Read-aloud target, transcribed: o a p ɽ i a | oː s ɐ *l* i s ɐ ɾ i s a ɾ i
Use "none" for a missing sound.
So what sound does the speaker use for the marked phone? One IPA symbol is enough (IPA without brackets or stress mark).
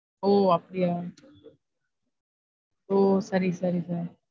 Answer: ɾ